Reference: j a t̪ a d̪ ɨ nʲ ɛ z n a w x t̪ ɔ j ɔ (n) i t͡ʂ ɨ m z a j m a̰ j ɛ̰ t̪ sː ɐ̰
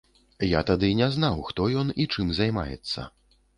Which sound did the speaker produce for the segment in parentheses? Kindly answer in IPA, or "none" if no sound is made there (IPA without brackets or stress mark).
n